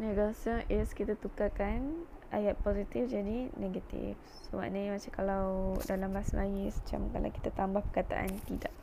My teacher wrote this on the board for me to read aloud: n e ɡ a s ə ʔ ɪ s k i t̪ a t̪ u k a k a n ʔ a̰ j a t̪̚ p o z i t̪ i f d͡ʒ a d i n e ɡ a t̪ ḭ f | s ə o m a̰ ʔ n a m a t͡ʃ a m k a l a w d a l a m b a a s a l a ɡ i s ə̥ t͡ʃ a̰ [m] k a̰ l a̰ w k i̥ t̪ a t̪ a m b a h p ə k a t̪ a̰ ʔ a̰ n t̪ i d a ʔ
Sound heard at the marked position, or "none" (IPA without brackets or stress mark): m